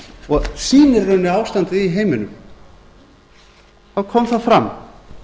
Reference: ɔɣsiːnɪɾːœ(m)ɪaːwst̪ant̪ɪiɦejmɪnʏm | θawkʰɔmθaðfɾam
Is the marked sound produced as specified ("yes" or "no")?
no